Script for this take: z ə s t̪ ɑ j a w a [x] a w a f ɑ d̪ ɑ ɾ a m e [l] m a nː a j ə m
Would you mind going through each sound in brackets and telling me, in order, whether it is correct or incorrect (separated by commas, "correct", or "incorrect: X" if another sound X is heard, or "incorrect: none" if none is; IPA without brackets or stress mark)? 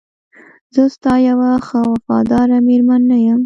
correct, incorrect: ɾ